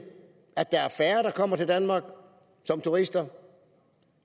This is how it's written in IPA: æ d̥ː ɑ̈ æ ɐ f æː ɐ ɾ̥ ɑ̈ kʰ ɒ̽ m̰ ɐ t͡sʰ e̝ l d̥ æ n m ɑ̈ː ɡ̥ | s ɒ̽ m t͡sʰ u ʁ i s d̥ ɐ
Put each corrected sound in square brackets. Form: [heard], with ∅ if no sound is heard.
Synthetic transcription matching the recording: æ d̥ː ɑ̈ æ ɐ f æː ɐ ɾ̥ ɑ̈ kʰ ɒ̽ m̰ ɐ t͡sʰ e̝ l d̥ æ n m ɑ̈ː ɡ̥ | s ɒ̽ m t͡sʰ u ʁ i s d̥ ɐ